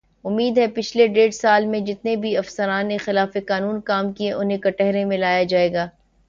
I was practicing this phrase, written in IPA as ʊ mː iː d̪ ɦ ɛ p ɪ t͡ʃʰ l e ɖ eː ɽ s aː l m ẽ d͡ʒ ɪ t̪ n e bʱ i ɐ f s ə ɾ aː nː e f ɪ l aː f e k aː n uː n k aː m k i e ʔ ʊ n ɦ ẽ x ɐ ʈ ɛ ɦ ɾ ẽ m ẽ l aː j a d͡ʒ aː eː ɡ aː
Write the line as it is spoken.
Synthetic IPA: ʊ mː iː d̪ ɦ ɛ p ɪ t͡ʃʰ l e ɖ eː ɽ s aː l m ẽ d͡ʒ ɪ t̪ n e bʱ i ɐ f s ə ɾ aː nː e x ɪ l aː f e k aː n uː n k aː m k i e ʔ ʊ n ɦ ẽ k ɐ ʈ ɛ ɦ ɾ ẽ m ẽ l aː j a d͡ʒ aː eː ɡ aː